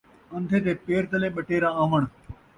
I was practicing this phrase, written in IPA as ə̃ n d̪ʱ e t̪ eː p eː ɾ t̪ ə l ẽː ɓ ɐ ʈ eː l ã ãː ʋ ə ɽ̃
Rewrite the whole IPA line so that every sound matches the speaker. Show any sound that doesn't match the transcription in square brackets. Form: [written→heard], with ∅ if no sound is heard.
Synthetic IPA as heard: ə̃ n d̪ʱ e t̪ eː p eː ɾ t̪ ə l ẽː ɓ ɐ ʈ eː [l→ɾ] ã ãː ʋ ə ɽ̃